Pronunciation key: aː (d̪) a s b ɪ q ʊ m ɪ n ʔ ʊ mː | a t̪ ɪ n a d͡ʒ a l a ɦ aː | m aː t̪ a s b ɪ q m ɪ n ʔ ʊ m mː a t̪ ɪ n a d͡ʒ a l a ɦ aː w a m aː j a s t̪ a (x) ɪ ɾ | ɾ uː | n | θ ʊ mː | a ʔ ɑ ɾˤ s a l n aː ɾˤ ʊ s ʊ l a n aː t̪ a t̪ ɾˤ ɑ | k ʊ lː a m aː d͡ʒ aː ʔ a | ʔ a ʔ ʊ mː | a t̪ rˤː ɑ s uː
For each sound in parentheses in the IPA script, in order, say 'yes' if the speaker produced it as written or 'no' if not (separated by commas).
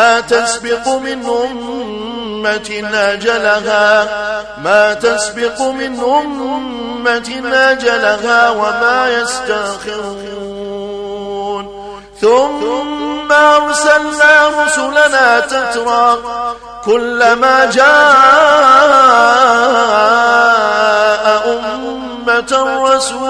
no, yes